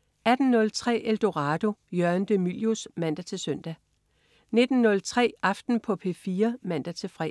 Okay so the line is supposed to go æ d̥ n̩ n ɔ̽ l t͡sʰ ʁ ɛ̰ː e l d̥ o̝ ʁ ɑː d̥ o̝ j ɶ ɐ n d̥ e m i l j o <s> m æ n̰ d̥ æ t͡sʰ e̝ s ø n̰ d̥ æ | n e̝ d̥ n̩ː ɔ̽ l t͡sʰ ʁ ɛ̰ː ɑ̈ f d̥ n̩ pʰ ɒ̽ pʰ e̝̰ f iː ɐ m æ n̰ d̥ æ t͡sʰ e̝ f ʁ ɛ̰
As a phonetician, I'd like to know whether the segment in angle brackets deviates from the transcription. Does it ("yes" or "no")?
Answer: no